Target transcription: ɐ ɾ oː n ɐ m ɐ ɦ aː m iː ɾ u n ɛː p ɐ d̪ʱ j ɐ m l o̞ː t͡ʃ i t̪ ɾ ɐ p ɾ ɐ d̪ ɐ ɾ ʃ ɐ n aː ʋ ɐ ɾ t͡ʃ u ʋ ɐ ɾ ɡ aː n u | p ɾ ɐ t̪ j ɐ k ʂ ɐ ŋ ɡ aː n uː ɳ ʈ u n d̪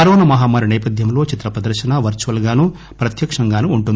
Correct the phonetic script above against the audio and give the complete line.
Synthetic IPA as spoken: ɐ ɾ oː n ɐ m ɐ ɦ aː m aː ɾ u n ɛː p ɐ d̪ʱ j ɐ m l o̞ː t͡ʃ i t̪ ɾ ɐ p ɾ ɐ d̪ ɐ ɾ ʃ ɐ n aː ʋ ɐ ɾ t͡ʃ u ʋ ɐ l ɡ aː n u | p ɾ ɐ t̪ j ɐ k ʂ ɐ ŋ ɡ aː n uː ɳ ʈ u n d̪